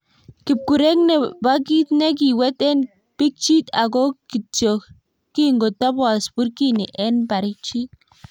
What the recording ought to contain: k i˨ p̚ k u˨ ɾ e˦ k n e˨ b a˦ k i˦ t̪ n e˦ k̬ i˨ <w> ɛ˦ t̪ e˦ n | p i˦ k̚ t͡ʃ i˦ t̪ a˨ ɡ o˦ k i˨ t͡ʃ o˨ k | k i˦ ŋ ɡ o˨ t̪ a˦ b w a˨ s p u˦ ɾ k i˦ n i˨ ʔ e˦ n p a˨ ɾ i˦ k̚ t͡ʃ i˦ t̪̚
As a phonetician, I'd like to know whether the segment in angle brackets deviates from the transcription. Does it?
no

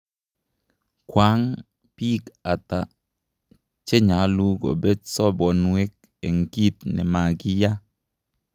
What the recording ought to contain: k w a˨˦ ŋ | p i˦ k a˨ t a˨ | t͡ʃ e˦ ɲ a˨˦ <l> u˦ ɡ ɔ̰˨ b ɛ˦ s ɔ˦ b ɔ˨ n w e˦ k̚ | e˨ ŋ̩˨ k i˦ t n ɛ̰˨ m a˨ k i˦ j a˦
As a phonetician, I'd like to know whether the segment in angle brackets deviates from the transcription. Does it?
no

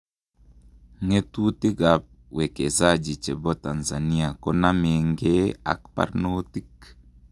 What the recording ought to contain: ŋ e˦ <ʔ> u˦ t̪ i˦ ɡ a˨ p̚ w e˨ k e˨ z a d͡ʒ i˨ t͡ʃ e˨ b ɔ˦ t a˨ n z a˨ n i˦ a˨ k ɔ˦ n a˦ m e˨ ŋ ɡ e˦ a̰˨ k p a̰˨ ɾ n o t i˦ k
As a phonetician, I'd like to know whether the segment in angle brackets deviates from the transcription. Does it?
yes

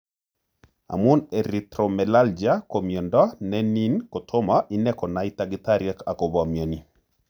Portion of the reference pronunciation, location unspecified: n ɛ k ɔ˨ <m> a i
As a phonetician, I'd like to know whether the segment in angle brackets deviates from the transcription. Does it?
yes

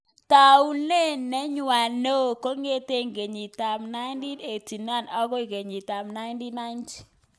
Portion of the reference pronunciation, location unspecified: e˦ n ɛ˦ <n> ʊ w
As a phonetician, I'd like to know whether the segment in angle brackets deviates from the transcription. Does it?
yes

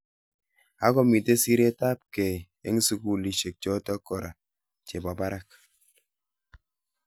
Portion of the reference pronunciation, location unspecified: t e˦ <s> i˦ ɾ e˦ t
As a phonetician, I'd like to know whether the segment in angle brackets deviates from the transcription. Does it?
no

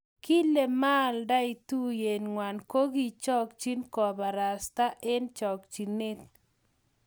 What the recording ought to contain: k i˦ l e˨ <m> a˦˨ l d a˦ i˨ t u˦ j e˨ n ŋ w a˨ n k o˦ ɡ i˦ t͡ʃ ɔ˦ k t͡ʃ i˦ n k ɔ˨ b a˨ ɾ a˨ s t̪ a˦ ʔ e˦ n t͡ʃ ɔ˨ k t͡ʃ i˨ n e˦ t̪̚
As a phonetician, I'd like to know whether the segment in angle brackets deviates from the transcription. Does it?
no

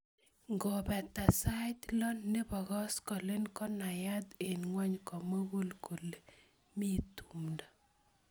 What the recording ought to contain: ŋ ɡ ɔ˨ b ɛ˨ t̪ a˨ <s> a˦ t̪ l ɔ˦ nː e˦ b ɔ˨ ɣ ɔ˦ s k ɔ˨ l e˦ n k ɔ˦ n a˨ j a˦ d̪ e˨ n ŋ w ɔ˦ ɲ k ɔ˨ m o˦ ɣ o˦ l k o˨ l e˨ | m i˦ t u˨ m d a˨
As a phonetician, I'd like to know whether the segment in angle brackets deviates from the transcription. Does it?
no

